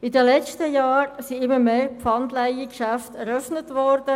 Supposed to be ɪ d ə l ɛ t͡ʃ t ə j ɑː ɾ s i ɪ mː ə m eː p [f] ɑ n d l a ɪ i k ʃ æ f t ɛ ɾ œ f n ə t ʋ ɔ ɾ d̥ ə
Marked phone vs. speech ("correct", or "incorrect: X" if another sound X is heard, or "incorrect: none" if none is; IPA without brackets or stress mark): correct